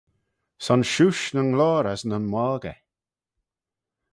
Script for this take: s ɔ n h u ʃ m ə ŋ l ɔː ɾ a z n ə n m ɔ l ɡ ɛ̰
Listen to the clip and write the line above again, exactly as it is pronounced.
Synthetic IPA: s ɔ n ʃ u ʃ n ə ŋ l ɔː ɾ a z n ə n m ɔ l ɡ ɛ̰

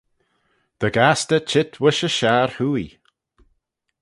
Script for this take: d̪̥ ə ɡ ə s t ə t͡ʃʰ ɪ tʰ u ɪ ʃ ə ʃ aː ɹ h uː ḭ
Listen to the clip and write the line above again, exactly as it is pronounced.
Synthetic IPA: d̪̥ ə ɡ a s t ə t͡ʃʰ ɪ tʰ w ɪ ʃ ə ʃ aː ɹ h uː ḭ

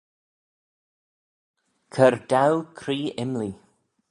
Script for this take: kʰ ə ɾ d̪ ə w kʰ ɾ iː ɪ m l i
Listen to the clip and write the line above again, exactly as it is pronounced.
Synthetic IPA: kʰ ə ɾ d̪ a w kʰ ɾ iː ɪ m l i

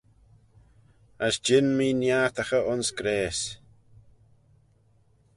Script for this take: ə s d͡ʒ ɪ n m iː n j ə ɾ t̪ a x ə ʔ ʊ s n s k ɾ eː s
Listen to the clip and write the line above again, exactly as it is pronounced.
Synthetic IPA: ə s d͡ʒ ɪ n m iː n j a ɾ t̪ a x ə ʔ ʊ n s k ɾ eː s

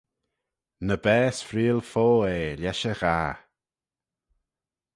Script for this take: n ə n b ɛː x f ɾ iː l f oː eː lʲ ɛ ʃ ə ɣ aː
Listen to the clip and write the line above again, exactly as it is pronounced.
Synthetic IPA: n ə b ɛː s f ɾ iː l f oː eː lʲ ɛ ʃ ə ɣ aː

